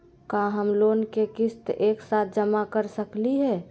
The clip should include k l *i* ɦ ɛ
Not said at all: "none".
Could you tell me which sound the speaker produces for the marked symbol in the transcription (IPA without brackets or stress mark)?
i